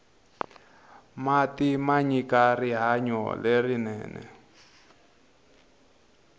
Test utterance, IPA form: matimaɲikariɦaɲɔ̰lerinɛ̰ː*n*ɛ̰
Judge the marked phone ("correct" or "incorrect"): correct